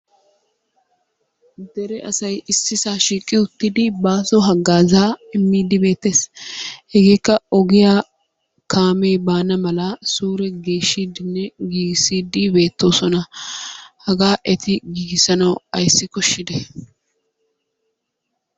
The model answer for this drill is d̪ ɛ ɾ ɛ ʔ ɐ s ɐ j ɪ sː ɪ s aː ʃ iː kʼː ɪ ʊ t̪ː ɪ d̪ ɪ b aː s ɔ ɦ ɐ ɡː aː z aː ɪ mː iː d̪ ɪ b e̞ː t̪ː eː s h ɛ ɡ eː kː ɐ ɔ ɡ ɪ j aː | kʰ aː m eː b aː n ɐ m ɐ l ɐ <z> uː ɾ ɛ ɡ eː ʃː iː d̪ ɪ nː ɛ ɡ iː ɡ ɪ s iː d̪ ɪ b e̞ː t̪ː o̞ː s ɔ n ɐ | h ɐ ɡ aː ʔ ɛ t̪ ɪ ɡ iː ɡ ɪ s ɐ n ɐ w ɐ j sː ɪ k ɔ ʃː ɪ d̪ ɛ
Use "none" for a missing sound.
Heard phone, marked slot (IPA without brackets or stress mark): s